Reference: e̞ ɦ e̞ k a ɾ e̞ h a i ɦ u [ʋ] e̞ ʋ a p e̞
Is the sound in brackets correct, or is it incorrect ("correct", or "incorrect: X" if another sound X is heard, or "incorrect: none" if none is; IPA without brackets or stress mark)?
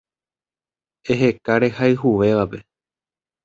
correct